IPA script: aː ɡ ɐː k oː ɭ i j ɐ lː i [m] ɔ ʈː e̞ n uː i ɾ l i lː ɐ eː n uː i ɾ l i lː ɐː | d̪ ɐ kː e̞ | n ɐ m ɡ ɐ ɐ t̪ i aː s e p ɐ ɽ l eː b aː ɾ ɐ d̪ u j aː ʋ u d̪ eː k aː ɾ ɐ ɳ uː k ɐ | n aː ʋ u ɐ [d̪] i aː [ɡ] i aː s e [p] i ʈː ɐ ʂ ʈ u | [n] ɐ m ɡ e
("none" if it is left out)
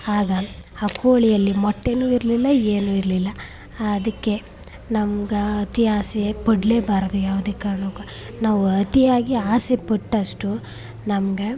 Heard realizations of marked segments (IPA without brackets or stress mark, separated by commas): m, t̪, ɡ, p, n